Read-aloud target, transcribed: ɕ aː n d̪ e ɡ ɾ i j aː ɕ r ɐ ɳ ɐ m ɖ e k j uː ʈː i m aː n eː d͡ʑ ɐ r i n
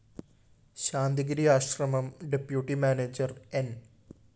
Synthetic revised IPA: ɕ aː n d̪ i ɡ ɾ i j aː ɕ r ɐ m ɐ m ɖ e p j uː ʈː i m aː n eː d͡ʑ ɐ r e n